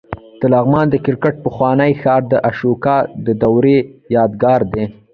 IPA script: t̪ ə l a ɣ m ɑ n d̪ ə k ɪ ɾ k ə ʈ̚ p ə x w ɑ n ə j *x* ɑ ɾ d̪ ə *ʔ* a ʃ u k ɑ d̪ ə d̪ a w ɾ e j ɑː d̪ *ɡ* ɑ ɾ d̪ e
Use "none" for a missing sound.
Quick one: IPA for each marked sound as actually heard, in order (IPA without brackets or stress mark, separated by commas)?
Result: x, ʔ, ɡ